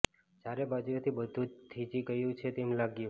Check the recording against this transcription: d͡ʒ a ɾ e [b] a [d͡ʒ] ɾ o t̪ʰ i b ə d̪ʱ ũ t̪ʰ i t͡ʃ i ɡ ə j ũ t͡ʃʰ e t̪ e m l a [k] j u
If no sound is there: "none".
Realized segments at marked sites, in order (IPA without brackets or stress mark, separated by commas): b, d͡ʒ, ɡ